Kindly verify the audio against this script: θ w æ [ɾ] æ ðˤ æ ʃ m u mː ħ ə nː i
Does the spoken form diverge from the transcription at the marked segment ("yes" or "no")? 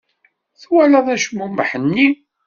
yes